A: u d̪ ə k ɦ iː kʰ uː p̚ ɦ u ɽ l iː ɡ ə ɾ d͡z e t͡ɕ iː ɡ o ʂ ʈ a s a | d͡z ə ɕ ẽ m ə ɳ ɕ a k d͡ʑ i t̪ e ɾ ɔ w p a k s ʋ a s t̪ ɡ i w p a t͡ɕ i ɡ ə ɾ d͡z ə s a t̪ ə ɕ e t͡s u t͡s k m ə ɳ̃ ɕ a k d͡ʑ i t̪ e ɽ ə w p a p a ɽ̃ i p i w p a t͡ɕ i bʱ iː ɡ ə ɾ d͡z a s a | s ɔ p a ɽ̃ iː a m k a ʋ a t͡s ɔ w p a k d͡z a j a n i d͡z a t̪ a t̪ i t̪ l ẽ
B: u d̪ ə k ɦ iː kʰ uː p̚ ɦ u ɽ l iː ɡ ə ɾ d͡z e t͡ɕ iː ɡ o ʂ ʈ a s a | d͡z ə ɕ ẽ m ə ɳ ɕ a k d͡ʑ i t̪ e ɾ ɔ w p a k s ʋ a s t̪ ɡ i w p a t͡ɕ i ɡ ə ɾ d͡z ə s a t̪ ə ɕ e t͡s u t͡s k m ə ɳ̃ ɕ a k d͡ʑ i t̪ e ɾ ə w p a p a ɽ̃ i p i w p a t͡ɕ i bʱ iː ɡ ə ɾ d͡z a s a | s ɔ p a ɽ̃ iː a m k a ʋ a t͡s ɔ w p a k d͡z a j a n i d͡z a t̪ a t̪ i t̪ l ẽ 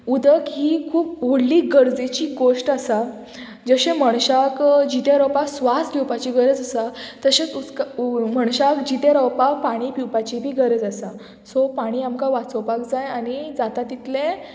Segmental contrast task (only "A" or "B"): B